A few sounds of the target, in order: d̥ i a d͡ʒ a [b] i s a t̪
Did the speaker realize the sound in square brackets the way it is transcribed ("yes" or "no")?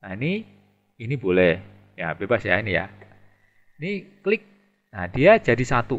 no